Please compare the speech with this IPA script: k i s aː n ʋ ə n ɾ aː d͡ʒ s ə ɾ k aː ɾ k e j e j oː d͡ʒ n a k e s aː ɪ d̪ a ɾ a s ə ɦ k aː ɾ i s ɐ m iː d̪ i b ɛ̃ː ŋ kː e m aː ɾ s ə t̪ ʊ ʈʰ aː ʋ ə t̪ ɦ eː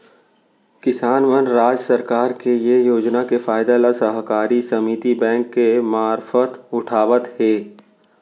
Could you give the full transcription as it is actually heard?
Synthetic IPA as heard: k ɪ s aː n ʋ ə n ɾ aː d͡ʒ s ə ɾ k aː ɾ k e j e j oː d͡ʒ n a k e f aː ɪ d̪ a l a s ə ɦ k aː ɾ i s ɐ m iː t̪ i b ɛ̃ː ŋ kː e m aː ɾ f ə t̪ ʊ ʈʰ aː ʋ ə t̪ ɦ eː